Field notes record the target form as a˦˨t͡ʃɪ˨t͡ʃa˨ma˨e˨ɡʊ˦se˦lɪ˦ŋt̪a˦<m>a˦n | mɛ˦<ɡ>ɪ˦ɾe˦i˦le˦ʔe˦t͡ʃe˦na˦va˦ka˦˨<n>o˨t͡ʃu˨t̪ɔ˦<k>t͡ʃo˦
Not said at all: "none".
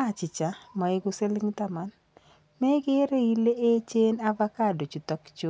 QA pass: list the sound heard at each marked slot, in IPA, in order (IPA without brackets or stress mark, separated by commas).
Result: m, ɡ, d, k